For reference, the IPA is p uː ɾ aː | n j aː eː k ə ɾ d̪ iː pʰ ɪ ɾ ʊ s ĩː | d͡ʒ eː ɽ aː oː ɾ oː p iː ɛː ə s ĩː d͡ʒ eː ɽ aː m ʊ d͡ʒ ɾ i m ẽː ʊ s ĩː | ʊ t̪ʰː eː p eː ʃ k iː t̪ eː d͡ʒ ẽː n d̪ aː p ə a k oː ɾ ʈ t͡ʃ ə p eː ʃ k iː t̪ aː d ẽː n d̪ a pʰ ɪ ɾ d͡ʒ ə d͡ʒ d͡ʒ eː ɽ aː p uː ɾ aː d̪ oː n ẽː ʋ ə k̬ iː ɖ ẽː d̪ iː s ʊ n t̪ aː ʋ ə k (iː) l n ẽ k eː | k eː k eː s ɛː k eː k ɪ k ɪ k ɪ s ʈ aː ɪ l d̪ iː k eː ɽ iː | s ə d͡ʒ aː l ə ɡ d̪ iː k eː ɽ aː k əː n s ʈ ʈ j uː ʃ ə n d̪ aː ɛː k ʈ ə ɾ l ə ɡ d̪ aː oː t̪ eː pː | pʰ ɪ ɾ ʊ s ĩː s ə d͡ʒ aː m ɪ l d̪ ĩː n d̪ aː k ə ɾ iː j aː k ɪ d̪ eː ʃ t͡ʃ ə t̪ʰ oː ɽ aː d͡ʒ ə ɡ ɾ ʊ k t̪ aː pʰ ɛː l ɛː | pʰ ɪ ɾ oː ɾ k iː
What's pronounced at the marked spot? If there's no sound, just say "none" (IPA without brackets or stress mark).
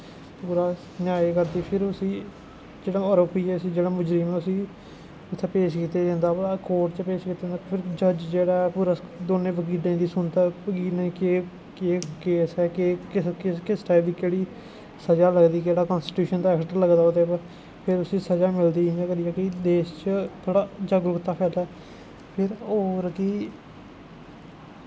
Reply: iː